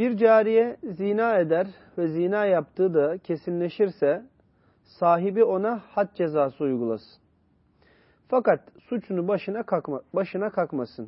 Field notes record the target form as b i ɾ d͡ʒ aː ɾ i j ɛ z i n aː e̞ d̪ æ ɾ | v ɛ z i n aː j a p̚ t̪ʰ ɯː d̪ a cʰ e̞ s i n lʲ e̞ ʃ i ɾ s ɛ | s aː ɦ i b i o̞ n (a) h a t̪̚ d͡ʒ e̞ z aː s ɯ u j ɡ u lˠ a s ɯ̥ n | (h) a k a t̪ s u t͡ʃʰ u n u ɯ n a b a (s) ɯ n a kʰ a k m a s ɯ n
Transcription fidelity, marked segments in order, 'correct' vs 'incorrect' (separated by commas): correct, incorrect, incorrect